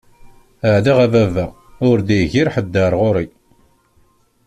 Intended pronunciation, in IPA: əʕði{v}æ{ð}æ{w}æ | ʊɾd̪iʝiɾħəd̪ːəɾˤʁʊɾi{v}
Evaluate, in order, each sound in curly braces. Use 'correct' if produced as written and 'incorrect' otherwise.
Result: incorrect, incorrect, incorrect, incorrect

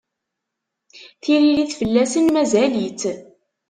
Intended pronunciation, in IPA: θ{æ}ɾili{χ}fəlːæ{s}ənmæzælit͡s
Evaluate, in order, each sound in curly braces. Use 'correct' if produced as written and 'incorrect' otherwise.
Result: incorrect, incorrect, correct

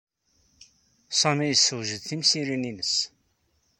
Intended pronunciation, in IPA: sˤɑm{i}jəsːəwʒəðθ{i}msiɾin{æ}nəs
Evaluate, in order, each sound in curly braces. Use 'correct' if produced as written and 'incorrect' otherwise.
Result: correct, correct, incorrect

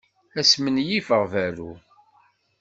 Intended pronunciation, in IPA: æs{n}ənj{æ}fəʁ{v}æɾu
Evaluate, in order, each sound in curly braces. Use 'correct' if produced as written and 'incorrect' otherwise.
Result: incorrect, incorrect, correct

